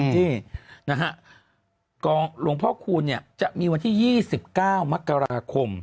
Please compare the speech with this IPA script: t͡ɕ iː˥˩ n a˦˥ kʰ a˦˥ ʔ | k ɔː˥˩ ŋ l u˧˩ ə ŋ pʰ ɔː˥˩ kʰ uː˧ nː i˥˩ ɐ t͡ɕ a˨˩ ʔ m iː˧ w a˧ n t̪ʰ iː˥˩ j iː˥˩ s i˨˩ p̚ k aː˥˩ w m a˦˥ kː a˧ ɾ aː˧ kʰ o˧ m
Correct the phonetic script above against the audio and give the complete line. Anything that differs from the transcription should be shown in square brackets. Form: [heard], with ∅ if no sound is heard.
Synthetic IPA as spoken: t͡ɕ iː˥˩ n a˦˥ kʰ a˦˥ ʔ | k [ɔː˧] ŋ l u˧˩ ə ŋ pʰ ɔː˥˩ kʰ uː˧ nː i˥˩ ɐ t͡ɕ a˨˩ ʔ m iː˧ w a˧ n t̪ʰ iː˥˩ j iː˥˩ s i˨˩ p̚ k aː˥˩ w m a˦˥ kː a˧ ɾ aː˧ kʰ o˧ m